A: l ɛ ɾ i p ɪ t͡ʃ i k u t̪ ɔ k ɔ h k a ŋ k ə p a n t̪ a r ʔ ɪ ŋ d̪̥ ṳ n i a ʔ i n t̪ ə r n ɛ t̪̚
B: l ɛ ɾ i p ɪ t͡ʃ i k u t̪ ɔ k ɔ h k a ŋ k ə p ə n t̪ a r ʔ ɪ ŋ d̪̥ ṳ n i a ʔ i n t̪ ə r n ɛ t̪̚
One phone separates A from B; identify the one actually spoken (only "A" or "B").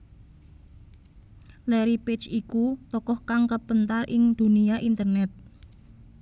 B